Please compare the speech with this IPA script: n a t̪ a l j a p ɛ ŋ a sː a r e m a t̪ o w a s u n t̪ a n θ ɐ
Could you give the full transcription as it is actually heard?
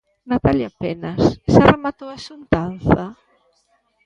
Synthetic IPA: n a t̪ a l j a p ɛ n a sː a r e m a t̪ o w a s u n t̪ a n θ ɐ